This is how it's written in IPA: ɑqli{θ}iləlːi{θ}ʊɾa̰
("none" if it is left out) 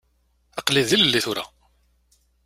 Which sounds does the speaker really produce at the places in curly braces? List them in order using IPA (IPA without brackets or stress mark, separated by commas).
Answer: ð, θ